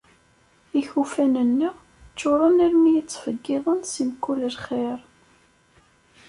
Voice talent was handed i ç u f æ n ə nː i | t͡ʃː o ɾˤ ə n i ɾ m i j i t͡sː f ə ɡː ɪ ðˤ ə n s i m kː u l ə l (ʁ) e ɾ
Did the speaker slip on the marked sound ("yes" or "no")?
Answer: yes